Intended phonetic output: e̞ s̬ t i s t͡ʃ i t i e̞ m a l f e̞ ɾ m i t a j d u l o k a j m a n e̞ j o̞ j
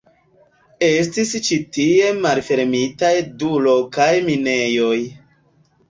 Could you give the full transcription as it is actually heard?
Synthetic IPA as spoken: e̞ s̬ t i s t͡ʃ i t i e̞ m a l f e̞ ɾ m i t a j d u l o k a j m i n e̞ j o̞ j

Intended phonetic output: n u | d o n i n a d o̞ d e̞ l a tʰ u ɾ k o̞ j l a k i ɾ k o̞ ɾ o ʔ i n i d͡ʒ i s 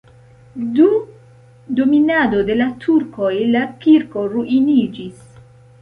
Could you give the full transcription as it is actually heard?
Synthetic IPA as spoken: d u | d o m i n a d o̞ d e̞ l a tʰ u ɾ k o̞ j l a k i ɾ k o̞ ɾ u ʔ i n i d͡ʒ i s

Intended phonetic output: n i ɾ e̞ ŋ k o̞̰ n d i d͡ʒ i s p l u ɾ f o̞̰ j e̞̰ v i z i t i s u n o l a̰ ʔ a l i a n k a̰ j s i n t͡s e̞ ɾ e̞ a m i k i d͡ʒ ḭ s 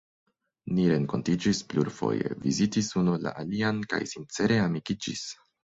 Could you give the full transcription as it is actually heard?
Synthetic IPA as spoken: n i ɾ e̞ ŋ k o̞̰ n t i d͡ʒ i s p l u ɾ f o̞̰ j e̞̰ v i z i t i s u n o l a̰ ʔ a l i a n k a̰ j s i n t͡s e̞ ɾ e̞ a m i k i d͡ʒ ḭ s

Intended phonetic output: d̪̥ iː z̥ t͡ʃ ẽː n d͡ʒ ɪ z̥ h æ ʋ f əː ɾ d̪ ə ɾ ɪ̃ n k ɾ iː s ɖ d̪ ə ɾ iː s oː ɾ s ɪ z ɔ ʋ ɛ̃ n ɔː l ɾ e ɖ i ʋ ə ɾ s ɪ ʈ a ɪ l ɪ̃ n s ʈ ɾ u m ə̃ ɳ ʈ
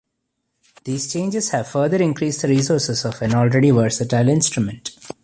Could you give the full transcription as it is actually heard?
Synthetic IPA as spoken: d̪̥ iː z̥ t͡ʃ ẽː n d͡ʒ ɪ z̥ h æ ʋ f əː ɾ d̪ ə ɾ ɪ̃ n k ɾ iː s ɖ d̪ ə ɾ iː s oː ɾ s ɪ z ɔ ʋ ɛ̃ n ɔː l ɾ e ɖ i ʋ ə ɾ s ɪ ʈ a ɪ l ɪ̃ n s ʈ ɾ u m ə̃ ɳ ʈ

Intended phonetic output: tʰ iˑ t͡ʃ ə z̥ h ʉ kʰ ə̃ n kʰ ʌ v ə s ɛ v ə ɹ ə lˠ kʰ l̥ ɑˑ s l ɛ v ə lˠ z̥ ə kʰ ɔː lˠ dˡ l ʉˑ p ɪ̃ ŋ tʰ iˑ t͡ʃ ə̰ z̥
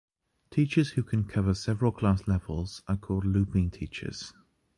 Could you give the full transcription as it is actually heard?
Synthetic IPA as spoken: tʰ iˑ t͡ʃ ə z̥ h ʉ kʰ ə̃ n kʰ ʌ v ə s ɛ v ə ɹ ə lˠ kʰ l̥ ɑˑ s l ɛ v ə lˠ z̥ ə kʰ ɔː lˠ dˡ l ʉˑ p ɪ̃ ŋ tʰ iˑ t͡ʃ ə̰ z̥

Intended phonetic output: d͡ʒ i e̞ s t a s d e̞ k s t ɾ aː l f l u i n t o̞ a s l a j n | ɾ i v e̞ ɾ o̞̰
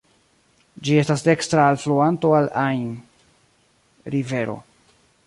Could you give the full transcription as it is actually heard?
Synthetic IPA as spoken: d͡ʒ i e̞ s t a s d e̞ k s t ɾ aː l f l u a n t o̞ a l a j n | ɾ i v e̞ ɾ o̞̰

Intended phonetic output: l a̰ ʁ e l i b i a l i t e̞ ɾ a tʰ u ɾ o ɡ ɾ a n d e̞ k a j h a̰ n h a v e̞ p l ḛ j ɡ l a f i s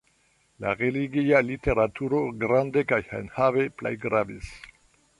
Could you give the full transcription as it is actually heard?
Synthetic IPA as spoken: l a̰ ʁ e l i ɡ i a l i t e̞ ɾ a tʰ u ɾ o ɡ ɾ a n d e̞ k a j h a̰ n h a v e̞ p l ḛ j ɡ ɾ a v i s

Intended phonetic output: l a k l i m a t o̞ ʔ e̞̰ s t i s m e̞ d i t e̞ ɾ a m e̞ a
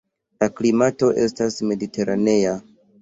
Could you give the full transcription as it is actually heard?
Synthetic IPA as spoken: l a k l i m a t o̞ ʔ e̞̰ s t a s m e̞ d i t e̞ ɾ a n e̞ a

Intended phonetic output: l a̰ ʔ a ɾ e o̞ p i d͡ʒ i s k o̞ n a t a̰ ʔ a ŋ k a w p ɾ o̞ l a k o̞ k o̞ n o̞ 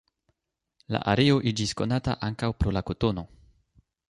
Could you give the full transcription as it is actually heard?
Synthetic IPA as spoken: l a̰ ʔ a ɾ e o̞ ʔ i d͡ʒ i s k o̞ n a t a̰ ʔ a ŋ k a w p ɾ o̞ l a k o̞ t o̞ n o̞

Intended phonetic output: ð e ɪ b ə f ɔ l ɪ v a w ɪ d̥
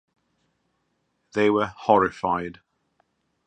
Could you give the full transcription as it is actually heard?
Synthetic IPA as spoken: ð e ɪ w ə h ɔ ɹ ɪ f a ɪ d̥

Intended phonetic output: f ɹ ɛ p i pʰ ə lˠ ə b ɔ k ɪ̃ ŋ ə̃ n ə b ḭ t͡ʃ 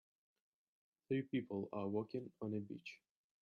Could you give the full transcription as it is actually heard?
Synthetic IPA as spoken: θ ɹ i p i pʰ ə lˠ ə w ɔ k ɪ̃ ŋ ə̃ n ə b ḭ t͡ʃ

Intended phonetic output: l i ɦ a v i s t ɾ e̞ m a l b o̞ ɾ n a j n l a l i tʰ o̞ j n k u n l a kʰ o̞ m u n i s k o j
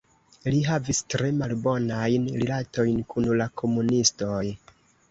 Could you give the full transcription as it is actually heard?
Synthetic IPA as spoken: l i ɦ a v i s t ɾ e̞ m a l b o̞ n a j n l i l a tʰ o̞ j n k u n l a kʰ o̞ m u n i s t o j

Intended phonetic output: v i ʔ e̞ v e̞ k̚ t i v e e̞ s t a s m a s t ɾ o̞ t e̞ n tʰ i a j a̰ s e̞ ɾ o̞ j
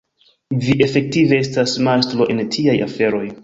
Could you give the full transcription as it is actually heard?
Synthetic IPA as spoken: v i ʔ e̞ f e̞ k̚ t i v e e̞ s t a s m a s t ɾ o̞ ʔ e̞ n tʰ i a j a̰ f e̞ ɾ o̞ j

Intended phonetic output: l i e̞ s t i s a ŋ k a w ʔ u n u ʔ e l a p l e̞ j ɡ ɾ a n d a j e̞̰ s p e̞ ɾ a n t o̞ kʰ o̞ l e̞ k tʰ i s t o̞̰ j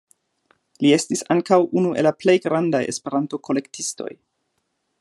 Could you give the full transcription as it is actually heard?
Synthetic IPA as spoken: l i e̞ s t i s a ŋ k a w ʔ u n u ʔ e l a p l e̞ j ɡ ɾ a n d a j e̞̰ s p e̞ ɾ a n t o̞ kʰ o̞ l e̞ k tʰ i s t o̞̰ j

